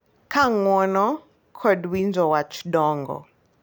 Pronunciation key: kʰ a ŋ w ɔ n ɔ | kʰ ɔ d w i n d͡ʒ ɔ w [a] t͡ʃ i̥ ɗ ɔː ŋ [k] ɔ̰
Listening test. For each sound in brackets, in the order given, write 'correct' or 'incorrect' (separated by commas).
correct, incorrect